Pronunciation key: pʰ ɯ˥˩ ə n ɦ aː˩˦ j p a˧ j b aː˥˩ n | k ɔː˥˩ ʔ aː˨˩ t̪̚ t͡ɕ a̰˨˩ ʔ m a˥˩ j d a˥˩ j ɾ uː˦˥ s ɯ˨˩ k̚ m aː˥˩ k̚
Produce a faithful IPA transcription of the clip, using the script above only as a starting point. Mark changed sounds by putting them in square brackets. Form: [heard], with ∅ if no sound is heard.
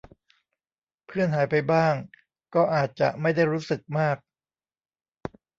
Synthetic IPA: pʰ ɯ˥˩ ə n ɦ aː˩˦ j p a˧ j b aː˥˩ [ŋ] | k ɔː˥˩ ʔ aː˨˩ t̪̚ t͡ɕ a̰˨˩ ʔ m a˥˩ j d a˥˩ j ɾ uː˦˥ s ɯ˨˩ k̚ m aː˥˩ k̚